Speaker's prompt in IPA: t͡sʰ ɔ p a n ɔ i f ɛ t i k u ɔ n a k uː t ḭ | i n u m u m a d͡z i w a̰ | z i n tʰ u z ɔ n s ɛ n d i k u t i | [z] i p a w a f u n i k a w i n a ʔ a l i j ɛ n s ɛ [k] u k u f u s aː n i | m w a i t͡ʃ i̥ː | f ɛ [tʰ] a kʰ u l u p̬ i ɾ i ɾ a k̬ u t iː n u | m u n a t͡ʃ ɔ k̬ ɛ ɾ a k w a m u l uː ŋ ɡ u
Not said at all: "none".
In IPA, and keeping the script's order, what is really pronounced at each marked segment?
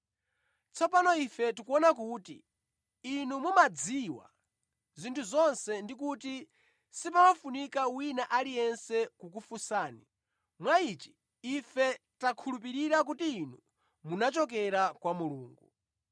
s, k, t

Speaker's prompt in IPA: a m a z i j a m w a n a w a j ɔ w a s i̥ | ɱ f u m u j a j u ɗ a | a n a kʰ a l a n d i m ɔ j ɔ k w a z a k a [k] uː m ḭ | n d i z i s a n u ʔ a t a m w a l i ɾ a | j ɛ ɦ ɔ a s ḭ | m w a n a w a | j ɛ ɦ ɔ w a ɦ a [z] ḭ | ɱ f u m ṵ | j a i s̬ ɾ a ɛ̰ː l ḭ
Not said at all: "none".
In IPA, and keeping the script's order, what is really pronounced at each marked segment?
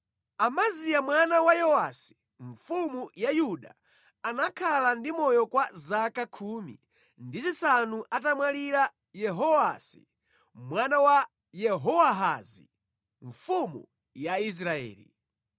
kʰ, z

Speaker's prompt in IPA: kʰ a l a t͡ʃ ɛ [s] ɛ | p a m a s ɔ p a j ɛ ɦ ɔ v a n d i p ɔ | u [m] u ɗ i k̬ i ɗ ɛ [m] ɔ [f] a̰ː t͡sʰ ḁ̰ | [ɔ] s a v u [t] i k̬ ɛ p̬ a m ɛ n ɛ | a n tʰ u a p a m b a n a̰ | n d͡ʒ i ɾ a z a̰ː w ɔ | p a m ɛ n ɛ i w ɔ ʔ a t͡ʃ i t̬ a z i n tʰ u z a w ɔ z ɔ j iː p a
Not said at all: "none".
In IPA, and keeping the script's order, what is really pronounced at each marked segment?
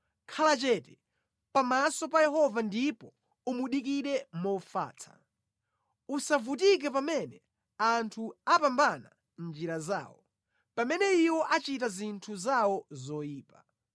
t, m, m, f, u, t

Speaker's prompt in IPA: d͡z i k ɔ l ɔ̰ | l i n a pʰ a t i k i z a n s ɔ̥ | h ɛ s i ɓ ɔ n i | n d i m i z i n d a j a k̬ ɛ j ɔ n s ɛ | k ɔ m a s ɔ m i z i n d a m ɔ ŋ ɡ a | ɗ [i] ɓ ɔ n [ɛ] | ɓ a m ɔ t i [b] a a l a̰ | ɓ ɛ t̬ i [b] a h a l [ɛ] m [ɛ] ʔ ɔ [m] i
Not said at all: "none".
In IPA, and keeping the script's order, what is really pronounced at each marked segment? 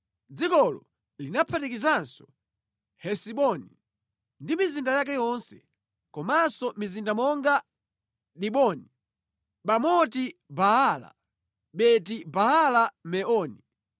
i, i, b, b, a, ɛ, n

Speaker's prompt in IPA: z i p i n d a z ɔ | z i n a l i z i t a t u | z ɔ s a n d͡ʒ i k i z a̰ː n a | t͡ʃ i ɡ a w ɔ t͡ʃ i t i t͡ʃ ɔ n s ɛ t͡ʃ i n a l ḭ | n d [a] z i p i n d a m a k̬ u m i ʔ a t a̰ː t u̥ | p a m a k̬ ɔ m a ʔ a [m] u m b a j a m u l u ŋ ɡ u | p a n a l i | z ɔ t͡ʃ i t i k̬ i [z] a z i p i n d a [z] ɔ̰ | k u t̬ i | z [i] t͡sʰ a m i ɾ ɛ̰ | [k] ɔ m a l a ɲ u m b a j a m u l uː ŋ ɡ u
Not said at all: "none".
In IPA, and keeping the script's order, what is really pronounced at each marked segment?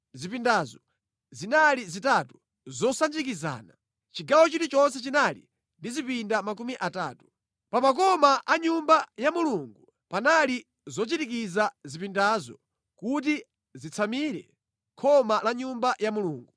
i, ɲ, z, z, i, kʰ

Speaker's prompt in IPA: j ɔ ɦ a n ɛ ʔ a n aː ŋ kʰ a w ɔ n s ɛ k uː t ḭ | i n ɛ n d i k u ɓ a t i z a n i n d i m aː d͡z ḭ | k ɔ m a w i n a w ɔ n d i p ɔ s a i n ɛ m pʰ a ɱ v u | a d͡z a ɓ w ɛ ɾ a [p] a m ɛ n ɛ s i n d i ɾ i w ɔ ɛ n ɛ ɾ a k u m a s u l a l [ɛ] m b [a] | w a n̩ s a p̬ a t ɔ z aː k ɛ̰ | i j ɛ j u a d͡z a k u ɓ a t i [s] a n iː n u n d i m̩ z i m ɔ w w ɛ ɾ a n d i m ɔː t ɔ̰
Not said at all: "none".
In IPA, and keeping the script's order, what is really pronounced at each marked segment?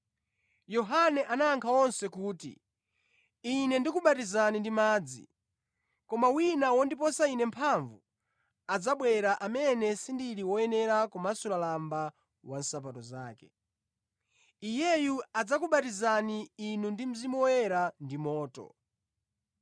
ʔ, a, a, z

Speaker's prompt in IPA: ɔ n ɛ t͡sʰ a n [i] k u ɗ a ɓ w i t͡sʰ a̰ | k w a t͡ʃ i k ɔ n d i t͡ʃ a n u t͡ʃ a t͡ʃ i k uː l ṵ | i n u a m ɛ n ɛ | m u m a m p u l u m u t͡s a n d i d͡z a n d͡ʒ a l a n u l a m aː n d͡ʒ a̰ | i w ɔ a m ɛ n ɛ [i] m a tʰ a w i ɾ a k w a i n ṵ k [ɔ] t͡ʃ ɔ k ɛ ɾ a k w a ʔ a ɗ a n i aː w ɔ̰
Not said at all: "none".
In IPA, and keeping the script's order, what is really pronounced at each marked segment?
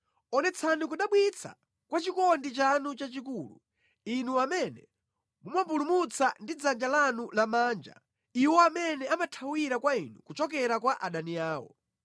i, a, u

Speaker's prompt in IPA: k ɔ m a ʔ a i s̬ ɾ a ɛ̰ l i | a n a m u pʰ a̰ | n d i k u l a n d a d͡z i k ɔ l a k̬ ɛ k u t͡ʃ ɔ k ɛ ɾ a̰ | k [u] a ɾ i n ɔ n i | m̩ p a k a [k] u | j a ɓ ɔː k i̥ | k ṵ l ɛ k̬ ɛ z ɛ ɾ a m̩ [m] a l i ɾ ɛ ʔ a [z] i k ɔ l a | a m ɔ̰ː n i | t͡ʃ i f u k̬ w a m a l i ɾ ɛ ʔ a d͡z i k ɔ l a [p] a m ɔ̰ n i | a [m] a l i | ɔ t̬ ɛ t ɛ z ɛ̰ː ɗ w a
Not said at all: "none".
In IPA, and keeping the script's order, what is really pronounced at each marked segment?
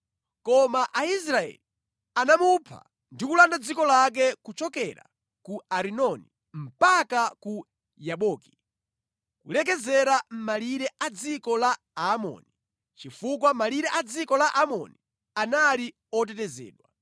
u, k, m, d͡z, ʔ, n

